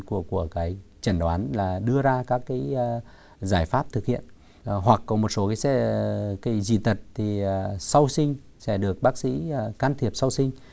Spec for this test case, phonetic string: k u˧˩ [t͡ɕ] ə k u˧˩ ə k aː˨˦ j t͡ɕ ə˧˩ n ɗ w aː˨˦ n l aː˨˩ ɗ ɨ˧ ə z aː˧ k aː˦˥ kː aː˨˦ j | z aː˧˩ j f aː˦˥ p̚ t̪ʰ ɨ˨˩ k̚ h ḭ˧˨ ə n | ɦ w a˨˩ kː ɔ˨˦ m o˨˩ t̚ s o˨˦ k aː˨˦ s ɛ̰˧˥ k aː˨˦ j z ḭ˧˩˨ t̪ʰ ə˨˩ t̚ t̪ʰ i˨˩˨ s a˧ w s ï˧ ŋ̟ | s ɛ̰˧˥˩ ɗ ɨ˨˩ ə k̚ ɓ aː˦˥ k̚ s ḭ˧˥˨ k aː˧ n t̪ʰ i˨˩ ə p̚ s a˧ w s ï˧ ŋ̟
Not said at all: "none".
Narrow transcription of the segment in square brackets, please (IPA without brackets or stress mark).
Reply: none